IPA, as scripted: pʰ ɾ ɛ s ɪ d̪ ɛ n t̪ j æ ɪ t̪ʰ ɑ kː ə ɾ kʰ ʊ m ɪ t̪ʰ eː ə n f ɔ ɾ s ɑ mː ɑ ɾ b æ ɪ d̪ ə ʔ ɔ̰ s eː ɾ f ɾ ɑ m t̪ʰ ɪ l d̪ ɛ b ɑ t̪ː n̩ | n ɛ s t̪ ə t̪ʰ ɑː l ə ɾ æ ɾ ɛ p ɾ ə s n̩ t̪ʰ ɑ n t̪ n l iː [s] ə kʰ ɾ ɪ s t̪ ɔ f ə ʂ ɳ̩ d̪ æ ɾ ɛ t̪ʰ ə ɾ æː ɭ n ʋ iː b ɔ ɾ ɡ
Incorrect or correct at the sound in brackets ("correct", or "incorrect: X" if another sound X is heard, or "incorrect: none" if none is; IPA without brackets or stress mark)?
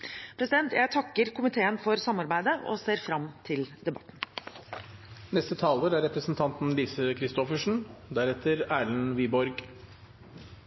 correct